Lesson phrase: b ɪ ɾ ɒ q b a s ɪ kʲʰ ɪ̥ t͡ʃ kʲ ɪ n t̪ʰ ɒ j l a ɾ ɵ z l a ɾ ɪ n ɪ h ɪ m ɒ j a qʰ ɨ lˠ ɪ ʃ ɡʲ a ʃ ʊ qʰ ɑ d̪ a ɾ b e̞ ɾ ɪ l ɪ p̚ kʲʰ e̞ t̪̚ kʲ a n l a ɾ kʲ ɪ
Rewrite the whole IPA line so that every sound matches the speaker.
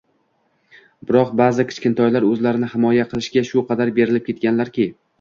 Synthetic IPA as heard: b ɪ ɾ ɒ q b a z ɪ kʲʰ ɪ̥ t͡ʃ kʲ ɪ n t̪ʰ ɒ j l a ɾ ɵ z l a ɾ ɪ n ɪ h ɪ m ɒ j a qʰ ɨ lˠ ɪ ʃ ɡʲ a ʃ ʊ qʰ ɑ d̪ a ɾ b e̞ ɾ ɪ l ɪ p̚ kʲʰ e̞ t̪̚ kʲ a n l a ɾ kʲ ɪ